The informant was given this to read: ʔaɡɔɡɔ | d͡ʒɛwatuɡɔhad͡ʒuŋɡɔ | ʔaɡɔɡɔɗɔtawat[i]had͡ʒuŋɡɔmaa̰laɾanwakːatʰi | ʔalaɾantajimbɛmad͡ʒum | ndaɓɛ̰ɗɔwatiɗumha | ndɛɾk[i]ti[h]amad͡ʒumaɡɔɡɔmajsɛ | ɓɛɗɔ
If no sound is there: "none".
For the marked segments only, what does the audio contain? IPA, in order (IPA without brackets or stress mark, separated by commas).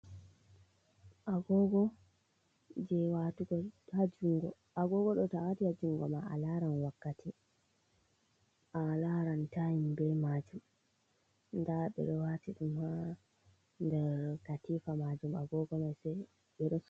i, a, f